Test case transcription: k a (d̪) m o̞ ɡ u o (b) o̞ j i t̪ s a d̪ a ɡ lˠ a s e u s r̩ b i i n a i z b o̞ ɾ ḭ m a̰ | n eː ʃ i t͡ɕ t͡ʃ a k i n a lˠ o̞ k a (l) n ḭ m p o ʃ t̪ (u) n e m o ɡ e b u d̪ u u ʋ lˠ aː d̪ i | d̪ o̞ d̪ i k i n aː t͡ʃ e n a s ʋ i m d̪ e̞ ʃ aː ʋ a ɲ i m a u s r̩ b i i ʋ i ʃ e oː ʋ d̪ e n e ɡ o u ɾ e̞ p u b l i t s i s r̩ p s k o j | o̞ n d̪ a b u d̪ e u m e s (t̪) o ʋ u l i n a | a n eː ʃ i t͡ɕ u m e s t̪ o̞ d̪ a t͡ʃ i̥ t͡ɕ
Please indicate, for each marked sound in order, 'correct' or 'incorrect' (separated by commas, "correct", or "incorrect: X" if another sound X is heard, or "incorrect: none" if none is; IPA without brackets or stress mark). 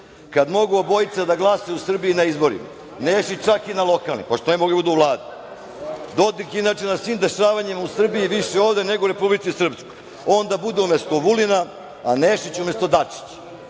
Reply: correct, correct, correct, incorrect: o, correct